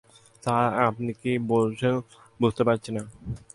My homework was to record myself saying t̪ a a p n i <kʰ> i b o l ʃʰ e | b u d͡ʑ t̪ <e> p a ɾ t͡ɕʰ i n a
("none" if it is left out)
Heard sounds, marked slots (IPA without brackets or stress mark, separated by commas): k, e